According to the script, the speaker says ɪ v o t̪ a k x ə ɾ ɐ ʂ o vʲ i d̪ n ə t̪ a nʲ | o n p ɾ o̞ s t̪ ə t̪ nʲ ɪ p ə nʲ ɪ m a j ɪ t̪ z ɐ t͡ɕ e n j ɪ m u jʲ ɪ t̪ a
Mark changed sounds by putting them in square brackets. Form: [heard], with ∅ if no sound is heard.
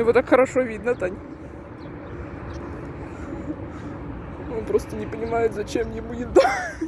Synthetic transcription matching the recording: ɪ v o t̪ a k x ə ɾ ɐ ʂ o vʲ i d̪ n ə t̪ a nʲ | o n p ɾ o̞ s t̪ ə [∅] nʲ ɪ p ə nʲ ɪ m a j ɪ t̪ z ɐ t͡ɕ e [m] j ɪ m u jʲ ɪ [d̪] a